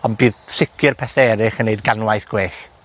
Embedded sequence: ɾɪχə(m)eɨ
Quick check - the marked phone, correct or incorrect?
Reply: incorrect